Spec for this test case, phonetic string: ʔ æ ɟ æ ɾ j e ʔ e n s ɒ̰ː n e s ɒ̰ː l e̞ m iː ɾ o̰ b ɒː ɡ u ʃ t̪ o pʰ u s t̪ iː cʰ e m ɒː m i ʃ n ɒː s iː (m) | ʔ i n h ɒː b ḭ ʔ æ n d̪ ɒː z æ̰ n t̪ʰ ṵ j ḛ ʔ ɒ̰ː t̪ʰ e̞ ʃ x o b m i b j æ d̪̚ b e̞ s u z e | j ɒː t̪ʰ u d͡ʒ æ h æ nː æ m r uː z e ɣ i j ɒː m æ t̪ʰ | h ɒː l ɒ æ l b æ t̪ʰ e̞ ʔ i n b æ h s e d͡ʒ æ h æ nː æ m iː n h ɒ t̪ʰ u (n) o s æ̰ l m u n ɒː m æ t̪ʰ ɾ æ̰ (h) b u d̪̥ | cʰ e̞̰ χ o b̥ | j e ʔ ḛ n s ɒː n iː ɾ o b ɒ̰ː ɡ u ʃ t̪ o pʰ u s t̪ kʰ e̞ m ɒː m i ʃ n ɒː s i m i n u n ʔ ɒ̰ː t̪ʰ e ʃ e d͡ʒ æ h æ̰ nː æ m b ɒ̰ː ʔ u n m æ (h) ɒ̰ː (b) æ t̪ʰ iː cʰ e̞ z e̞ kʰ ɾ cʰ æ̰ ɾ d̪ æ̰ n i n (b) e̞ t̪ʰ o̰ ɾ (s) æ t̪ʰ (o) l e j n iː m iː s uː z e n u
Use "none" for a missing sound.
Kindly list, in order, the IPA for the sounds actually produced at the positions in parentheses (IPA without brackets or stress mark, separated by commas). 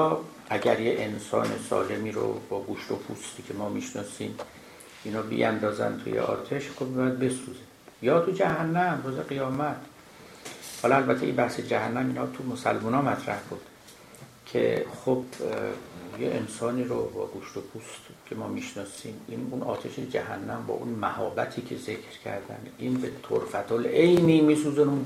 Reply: m, m, h, h, b, b, f, o